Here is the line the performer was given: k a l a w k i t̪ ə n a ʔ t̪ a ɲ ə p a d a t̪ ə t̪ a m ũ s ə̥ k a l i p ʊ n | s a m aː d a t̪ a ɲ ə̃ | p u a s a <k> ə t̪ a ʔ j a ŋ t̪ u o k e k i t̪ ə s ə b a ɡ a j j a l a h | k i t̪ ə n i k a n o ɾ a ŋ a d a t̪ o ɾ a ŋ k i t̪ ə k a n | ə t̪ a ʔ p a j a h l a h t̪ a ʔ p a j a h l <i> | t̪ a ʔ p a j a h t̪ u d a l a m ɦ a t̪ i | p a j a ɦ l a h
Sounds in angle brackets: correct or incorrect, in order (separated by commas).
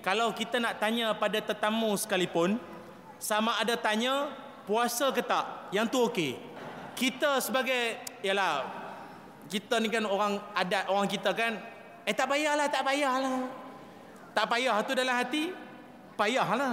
correct, incorrect